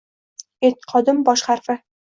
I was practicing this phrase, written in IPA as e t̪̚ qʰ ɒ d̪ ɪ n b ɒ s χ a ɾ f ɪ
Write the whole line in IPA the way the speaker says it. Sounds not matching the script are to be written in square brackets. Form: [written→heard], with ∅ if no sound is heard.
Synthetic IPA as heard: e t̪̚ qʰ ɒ d̪ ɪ [n→m] b ɒ [s→ʃ] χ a ɾ f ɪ